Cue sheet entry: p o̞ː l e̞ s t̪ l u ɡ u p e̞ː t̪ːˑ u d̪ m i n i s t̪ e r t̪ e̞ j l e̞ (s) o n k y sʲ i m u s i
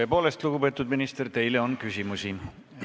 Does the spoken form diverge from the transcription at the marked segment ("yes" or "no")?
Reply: yes